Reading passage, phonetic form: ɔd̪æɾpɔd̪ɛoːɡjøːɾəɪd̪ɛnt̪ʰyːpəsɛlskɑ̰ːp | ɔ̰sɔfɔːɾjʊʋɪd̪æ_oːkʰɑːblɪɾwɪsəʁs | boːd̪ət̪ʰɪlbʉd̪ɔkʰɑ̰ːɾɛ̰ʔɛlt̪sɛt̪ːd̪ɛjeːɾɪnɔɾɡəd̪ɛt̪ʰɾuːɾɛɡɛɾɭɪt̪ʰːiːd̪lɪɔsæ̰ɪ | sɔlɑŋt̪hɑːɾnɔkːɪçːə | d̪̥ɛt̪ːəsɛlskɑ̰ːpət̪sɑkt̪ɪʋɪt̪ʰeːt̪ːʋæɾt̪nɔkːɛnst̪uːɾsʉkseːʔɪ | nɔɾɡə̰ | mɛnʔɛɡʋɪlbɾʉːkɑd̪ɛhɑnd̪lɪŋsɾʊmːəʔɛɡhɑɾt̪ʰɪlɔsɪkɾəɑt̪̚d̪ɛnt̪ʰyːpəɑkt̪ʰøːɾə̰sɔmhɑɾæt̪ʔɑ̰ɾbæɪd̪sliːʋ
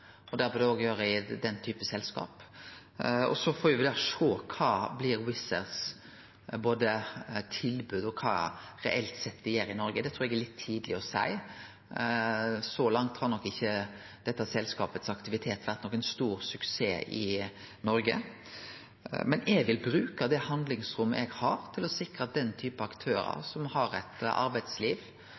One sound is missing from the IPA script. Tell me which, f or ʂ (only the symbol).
ʂ